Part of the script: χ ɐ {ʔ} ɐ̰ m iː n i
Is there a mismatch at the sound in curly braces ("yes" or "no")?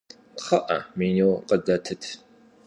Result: no